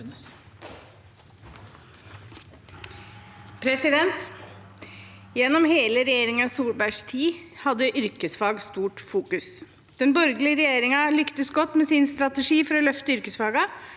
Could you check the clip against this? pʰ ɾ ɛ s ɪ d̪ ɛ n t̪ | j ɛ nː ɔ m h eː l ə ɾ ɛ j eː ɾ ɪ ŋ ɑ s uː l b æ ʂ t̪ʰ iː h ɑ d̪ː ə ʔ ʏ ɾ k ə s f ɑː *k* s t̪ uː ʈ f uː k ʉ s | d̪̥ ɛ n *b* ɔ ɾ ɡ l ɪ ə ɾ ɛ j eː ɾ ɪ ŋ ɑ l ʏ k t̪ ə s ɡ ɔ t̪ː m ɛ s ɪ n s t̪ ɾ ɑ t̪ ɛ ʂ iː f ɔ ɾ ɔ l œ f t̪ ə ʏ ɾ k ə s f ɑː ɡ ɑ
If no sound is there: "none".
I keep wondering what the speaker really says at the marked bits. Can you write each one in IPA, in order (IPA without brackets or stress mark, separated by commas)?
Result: ɡ, b